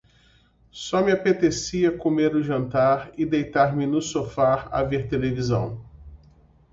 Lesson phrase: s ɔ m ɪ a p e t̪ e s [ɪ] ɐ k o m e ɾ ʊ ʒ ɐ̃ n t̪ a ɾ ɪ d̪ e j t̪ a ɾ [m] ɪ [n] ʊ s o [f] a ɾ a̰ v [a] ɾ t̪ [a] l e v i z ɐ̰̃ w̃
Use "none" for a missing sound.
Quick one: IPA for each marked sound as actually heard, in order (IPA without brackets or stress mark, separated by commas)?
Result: i, m, n, f, e, e